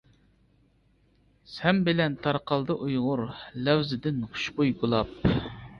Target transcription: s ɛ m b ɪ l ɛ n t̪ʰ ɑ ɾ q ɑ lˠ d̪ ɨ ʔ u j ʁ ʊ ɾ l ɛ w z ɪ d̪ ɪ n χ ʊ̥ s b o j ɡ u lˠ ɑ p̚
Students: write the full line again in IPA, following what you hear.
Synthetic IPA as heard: s ɛ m b ɪ l ɛ n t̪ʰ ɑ ɾ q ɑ lˠ d̪ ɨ ʔ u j ʁ ʊ ɾ l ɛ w z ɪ d̪ ɪ n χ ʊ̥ ʃ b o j ɡ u lˠ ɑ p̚

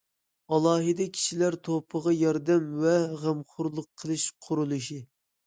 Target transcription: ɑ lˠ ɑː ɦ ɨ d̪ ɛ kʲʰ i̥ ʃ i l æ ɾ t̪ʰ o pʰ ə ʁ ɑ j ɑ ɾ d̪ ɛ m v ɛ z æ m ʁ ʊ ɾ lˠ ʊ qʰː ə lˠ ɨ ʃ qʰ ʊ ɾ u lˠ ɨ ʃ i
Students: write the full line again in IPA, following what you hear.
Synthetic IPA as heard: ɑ lˠ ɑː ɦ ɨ d̪ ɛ kʲʰ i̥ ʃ i l æ ɾ t̪ʰ o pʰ ə ʁ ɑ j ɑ ɾ d̪ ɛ m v ɛ ʁ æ m χ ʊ ɾ lˠ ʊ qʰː ə lˠ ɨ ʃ qʰ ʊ ɾ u lˠ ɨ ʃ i

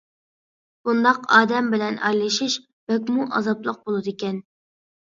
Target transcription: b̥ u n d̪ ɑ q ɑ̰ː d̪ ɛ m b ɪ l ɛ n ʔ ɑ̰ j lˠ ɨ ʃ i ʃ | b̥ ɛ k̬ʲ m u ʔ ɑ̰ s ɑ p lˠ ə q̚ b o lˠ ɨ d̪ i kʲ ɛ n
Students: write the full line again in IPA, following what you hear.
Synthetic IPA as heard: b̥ u n d̪ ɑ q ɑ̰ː d̪ ɛ m b ɪ l ɛ n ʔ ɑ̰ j lˠ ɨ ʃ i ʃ | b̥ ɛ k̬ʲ m u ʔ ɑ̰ z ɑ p lˠ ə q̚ b o lˠ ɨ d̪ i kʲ ɛ n

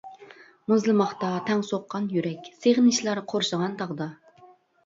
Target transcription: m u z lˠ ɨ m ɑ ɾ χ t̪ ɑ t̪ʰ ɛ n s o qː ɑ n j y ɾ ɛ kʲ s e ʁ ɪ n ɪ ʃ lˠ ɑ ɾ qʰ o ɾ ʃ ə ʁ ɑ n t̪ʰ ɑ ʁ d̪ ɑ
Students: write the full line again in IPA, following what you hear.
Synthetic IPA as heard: m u z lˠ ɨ m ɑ χ t̪ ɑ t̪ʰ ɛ ŋ s o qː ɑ n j y ɾ ɛ kʲ s e ʁ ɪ n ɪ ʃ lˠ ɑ ɾ qʰ o ɾ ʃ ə ʁ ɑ n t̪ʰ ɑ ʁ d̪ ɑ

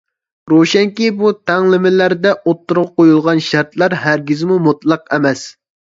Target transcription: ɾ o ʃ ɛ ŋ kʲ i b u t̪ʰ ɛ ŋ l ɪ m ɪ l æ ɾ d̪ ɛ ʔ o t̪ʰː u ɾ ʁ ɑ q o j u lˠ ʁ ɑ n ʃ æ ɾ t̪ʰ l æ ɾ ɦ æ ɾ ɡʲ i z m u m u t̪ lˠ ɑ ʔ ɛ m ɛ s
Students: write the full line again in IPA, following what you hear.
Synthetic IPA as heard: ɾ o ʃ ɛ ŋ kʲ i b u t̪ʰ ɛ ŋ l ɪ m ɪ l æ ɾ d̪ ɛ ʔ o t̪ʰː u ɾ ʁ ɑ q o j u lˠ ʁ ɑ n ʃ æ ɾ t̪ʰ l æ ɾ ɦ æ ɾ ɡʲ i z m u m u t̪ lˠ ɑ q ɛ m ɛ s

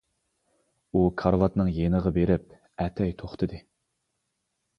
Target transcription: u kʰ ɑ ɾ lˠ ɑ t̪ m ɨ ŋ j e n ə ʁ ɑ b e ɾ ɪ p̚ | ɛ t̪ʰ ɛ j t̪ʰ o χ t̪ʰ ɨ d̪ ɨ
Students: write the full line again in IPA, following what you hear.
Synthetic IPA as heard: u kʰ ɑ ɾ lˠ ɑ t̪ n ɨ ŋ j e n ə ʁ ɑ b e ɾ ɪ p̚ | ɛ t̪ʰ ɛ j t̪ʰ o χ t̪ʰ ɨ d̪ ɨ

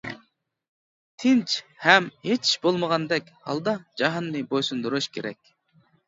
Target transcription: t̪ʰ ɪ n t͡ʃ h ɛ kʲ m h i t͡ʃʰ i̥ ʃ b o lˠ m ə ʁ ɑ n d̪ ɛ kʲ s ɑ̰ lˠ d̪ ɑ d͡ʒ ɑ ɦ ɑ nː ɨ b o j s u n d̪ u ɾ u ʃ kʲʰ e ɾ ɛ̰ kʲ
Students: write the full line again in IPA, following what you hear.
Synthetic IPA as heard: t̪ʰ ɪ n t͡ʃ h ɛ m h e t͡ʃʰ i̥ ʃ b o lˠ m ə ʁ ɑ n d̪ ɛ kʲ h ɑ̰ lˠ d̪ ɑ d͡ʒ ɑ ɦ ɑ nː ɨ b o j s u n d̪ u ɾ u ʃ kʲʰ e ɾ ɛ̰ kʲ

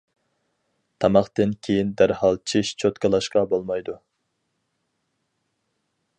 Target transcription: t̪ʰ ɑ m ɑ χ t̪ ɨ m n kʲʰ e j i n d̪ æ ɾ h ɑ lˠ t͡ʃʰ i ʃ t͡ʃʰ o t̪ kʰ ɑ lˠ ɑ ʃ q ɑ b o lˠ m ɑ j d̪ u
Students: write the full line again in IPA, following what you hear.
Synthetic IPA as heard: t̪ʰ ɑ m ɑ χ t̪ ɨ n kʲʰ e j i n d̪ æ ɾ h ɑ lˠ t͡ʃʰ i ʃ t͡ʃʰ o t̪ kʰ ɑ lˠ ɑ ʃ q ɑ b o lˠ m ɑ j d̪ u

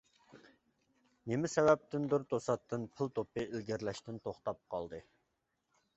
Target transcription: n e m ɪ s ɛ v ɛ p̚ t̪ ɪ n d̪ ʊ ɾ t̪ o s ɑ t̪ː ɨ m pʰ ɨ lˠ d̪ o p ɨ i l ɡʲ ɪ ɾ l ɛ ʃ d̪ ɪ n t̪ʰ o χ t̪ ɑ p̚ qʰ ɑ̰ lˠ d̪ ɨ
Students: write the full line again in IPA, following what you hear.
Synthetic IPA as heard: n e m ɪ s ɛ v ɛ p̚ t̪ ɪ n d̪ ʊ ɾ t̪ o s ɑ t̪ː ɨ n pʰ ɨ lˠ t̪ o p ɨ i l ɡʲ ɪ ɾ l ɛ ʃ t̪ ɪ n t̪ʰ o χ t̪ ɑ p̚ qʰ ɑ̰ lˠ d̪ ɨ

